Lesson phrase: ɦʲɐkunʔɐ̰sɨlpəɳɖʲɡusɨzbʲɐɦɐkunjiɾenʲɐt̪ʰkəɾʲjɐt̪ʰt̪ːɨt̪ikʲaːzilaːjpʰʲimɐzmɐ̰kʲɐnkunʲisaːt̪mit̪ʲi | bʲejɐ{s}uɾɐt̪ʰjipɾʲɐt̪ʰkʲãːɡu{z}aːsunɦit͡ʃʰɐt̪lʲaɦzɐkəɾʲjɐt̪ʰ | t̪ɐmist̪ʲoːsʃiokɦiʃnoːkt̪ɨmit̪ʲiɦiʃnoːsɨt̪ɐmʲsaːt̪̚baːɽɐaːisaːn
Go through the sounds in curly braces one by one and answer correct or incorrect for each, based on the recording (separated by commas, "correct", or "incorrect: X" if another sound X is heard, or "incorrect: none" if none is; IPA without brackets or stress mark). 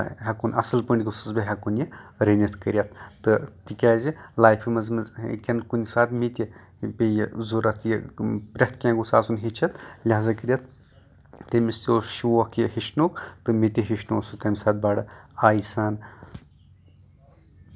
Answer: incorrect: z, incorrect: s